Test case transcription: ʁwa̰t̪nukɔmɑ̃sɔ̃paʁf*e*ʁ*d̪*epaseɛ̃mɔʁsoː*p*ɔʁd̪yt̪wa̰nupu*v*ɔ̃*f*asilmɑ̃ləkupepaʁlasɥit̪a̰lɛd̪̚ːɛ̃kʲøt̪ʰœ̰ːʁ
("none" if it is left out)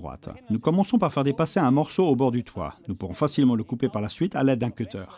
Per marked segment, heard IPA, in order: ɛ, d̪, b, ʁ, f

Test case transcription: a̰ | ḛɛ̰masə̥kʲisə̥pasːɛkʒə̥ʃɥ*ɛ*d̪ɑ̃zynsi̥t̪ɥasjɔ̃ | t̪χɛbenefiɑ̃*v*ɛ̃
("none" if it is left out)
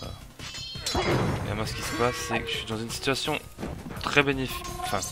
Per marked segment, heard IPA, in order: i, f

